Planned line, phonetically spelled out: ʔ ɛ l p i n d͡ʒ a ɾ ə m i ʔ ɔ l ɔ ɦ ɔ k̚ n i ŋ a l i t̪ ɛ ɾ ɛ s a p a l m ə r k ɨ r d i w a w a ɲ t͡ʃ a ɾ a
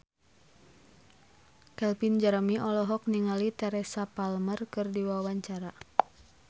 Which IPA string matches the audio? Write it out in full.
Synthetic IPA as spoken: k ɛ l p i n d͡ʒ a ɾ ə m i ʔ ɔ l ɔ ɦ ɔ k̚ n i ŋ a l i t̪ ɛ ɾ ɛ s a p a l m ə r k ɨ r d i w a w a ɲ t͡ʃ a ɾ a